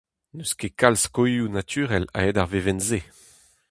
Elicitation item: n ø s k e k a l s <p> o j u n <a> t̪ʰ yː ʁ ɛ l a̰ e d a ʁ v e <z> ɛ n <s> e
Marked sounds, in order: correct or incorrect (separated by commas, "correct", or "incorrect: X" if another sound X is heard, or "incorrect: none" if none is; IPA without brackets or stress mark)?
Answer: incorrect: k, correct, incorrect: v, incorrect: z